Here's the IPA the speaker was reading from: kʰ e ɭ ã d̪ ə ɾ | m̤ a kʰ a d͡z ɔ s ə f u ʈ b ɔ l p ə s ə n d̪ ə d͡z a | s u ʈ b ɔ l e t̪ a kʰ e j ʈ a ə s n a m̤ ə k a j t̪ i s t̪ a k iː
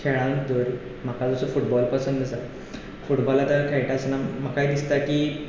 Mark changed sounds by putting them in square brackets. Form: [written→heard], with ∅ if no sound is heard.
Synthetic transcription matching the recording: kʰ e ɭ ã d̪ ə ɾ | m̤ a [kʰ→k] a d͡z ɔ s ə f u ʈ b ɔ l p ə s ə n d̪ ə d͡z a | [s→f] u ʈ b ɔ l [e→a] t̪ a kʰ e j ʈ a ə s n a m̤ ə k a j [t̪→d̪] i s t̪ a k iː

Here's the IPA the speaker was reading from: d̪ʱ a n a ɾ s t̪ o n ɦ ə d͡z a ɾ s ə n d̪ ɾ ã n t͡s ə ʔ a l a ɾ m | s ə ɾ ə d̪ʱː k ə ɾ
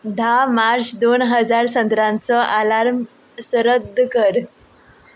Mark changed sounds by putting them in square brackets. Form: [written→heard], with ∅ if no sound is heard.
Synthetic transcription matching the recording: d̪ʱ a [n→m] a ɾ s [t̪→d̪] o n ɦ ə d͡z a ɾ s ə n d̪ ɾ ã n t͡s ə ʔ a l a ɾ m | s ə ɾ ə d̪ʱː k ə ɾ

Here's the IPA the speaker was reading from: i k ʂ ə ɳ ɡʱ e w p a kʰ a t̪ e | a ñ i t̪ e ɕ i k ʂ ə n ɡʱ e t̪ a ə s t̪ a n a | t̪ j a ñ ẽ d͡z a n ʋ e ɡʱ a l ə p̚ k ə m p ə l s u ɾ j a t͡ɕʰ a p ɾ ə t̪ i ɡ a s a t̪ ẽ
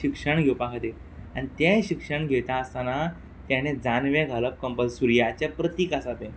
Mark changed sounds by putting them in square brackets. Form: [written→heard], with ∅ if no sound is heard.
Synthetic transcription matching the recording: i k ʂ ə ɳ ɡʱ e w p a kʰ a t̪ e | a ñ i t̪ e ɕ i k ʂ ə [n→ɳ] ɡʱ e t̪ a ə s t̪ a n a | t̪ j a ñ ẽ d͡z a n ʋ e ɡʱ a l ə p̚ k ə m p ə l s u ɾ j a [t͡ɕʰ→t͡ɕ] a p ɾ ə t̪ i [ɡ→k] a s a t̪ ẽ

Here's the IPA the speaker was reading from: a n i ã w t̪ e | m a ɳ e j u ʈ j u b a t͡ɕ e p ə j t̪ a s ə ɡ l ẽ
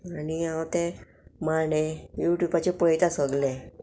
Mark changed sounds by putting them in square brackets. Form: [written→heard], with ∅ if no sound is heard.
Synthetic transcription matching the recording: a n i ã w t̪ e | m a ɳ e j u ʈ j u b a t͡ɕ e p ə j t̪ a s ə ɡ l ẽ

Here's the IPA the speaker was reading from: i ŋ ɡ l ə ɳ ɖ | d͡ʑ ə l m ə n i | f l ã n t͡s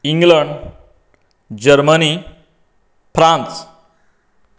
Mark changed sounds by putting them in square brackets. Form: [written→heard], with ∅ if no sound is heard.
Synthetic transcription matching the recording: i ŋ ɡ l ə ɳ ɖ | d͡ʑ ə [l→ɾ] m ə n i | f [l→ɾ] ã n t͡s

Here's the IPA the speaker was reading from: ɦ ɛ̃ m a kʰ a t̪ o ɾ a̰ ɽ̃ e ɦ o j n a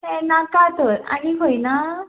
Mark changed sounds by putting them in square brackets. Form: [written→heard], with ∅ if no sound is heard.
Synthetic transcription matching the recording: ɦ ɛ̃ [m→n] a [kʰ→k] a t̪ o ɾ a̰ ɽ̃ [e→i] ɦ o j n a

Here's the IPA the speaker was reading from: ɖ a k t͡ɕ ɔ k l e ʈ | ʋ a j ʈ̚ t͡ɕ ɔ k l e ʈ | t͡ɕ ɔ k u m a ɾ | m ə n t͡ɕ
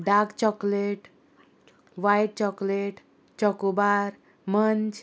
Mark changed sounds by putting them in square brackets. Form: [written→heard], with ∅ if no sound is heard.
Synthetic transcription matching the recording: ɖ a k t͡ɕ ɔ k l e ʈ | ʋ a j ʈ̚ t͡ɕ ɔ k l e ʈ | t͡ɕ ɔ k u [m→b] a ɾ | m ə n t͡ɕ

